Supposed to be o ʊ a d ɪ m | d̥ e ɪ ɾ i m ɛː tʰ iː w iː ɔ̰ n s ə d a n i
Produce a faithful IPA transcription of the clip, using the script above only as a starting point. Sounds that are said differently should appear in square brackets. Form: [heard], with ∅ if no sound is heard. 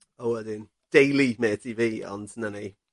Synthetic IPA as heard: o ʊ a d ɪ [n] | d̥ e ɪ [l] i m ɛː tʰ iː [v] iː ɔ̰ n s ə [n] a n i